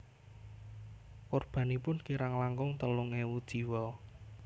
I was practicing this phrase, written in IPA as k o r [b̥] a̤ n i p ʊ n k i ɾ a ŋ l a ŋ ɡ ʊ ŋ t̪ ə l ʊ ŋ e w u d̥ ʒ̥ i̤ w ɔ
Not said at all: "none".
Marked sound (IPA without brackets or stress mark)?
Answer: b̥